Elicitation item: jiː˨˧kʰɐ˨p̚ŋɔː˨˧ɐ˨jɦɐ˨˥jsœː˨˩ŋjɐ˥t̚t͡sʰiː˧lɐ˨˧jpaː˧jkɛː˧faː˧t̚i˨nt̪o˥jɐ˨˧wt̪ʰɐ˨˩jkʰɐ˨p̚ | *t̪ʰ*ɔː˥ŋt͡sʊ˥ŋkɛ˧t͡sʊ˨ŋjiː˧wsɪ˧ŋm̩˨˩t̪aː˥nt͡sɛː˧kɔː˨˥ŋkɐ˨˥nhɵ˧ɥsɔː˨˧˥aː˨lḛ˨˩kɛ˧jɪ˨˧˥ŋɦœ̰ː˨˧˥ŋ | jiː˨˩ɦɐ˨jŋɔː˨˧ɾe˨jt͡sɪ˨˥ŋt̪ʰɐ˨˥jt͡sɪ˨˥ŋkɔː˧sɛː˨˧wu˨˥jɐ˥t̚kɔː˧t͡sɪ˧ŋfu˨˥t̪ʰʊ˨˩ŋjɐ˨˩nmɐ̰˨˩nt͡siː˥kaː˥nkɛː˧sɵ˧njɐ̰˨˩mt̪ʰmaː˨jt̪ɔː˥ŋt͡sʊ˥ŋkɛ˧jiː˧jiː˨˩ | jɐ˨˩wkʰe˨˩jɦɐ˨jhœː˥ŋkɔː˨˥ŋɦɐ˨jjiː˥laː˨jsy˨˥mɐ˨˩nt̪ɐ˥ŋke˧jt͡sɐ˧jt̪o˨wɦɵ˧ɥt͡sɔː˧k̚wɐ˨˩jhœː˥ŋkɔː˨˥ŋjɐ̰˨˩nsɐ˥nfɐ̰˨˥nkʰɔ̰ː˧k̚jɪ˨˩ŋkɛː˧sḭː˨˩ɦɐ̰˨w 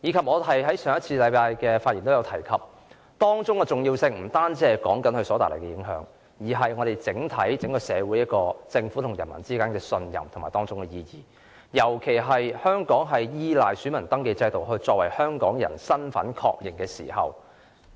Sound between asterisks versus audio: incorrect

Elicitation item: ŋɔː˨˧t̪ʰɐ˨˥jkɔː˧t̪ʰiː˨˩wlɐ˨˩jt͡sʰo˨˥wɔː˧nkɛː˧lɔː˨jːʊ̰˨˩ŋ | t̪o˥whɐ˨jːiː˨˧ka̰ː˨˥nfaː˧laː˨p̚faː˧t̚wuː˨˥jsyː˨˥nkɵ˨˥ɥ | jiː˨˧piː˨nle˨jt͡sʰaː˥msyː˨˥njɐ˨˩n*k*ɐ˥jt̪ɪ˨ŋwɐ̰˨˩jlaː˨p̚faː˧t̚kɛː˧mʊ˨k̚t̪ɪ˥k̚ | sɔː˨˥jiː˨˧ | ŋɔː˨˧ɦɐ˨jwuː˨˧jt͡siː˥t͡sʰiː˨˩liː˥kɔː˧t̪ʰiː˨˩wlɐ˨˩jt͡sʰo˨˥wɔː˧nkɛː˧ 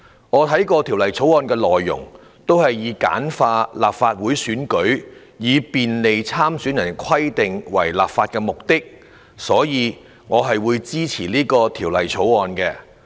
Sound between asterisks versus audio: incorrect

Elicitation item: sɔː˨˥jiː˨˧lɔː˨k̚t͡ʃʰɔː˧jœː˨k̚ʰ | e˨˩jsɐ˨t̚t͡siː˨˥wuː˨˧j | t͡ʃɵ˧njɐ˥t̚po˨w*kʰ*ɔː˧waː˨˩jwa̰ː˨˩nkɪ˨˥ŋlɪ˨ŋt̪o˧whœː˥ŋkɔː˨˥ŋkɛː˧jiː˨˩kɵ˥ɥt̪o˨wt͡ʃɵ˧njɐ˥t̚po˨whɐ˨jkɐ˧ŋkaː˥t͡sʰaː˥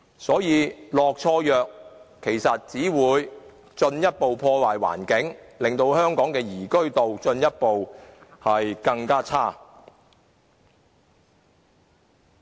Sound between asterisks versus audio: incorrect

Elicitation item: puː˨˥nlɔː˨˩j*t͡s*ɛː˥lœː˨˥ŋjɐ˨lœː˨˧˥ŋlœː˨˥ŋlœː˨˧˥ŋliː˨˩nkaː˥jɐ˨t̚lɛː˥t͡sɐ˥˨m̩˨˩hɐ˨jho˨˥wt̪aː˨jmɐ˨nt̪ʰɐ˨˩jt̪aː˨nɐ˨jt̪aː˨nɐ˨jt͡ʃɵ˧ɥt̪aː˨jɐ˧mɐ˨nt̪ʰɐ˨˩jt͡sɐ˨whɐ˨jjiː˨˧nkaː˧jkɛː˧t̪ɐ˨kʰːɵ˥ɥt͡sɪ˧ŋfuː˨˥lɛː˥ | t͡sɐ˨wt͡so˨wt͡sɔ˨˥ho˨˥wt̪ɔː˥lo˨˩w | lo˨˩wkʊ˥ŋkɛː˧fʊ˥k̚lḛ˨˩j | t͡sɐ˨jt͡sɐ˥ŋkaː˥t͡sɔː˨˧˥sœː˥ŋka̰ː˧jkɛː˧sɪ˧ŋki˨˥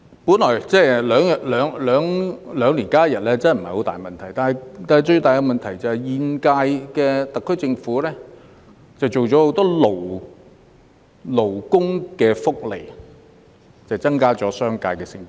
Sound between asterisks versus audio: correct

